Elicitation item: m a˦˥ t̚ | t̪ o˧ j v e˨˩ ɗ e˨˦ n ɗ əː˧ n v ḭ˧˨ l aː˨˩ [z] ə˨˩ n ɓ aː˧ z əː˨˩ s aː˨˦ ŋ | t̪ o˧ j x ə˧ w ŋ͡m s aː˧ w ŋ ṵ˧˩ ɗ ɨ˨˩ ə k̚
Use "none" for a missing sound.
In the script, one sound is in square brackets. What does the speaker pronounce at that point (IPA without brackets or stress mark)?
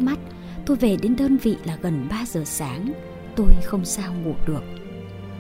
ɣ